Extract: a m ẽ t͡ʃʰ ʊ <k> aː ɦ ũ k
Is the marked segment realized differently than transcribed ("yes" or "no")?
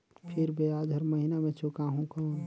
no